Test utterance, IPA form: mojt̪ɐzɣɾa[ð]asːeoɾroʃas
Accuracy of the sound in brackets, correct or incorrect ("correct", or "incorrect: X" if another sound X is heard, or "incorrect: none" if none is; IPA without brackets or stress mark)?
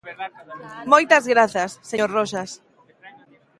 incorrect: θ